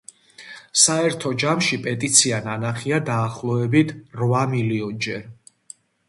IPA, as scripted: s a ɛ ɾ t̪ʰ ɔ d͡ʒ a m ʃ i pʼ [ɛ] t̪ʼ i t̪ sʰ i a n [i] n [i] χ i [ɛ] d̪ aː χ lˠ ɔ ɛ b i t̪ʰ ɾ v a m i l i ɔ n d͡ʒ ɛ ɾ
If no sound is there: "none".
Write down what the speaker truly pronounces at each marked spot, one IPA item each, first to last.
ɛ, a, a, a

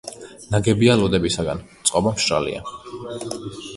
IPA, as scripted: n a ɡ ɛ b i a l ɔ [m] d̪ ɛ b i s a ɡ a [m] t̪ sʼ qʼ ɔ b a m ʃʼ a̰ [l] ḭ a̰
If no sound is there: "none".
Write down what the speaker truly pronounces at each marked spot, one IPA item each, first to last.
none, n, l

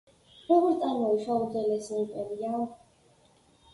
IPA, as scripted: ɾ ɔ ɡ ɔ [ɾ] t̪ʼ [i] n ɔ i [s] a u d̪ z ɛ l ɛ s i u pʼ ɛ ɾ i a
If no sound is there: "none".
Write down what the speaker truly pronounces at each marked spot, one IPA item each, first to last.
ɾ, a, ʃ

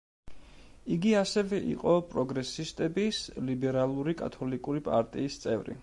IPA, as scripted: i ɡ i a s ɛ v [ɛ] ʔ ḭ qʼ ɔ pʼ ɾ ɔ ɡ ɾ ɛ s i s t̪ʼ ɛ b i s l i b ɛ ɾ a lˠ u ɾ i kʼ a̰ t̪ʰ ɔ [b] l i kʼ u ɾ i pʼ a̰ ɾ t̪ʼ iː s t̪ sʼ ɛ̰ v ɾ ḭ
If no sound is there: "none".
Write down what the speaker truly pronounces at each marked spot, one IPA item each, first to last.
ɛ, none

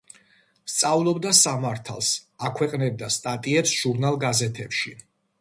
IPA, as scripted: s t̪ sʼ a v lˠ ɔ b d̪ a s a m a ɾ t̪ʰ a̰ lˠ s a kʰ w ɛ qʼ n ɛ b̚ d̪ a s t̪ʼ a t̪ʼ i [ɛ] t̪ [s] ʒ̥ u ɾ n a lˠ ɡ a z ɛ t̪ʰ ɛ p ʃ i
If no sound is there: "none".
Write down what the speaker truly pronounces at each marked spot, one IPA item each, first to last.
ɛ, s

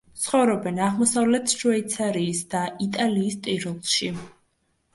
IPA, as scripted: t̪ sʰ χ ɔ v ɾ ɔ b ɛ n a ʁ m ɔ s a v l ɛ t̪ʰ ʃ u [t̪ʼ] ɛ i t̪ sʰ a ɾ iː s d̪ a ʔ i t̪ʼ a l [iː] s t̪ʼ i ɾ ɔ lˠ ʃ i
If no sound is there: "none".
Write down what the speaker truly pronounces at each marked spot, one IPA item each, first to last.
none, iː

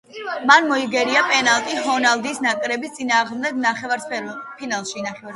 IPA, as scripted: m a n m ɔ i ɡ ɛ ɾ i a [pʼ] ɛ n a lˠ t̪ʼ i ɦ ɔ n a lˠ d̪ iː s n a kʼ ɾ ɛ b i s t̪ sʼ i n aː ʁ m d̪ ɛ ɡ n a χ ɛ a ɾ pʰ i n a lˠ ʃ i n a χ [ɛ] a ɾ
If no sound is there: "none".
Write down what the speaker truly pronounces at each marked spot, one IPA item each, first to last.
pʼ, ɛ

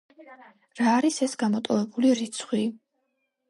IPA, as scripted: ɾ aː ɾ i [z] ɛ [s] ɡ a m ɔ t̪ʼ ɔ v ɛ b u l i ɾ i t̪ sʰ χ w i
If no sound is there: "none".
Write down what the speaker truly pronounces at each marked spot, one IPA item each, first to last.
s, s

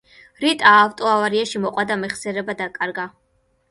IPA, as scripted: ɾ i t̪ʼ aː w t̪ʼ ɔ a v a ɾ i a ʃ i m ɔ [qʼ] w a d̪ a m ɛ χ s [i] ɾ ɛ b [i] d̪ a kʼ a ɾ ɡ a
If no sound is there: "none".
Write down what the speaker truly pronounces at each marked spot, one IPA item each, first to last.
qʼ, ɛ, a

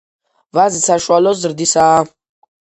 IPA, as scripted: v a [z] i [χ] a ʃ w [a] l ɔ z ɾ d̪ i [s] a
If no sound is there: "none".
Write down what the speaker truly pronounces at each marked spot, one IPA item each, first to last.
z, s, a, s

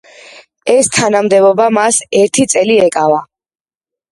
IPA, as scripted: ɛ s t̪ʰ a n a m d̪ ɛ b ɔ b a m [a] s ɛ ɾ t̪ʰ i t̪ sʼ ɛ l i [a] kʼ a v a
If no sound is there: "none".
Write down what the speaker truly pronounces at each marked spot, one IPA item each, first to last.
a, ɛ

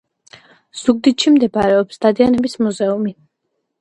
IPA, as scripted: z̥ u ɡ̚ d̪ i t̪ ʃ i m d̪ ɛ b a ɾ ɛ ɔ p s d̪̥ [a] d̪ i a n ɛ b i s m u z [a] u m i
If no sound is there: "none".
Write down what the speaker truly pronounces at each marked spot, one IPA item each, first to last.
a, ɛ

